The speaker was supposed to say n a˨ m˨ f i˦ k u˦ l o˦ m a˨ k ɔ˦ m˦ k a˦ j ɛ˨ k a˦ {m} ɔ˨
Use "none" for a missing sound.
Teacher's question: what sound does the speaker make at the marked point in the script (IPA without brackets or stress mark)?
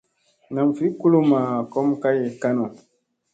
n